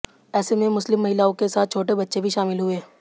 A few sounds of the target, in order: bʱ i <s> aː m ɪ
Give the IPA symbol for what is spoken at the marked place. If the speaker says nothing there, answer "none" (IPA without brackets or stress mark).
ʃ